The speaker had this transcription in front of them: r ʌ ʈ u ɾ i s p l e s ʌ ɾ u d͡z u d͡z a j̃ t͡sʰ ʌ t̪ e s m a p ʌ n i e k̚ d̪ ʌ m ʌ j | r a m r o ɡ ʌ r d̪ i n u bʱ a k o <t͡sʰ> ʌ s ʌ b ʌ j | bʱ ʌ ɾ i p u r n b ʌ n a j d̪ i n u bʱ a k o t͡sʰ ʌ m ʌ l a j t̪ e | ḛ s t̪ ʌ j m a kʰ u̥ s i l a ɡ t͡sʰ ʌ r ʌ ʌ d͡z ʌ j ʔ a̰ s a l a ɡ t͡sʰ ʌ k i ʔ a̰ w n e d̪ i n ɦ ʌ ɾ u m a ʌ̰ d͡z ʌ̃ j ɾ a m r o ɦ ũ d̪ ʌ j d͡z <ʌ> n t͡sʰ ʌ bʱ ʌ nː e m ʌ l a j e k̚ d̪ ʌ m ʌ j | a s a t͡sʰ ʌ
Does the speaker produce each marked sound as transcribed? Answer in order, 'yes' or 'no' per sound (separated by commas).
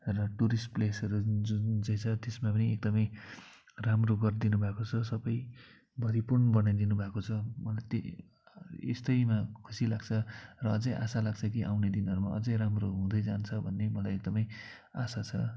yes, no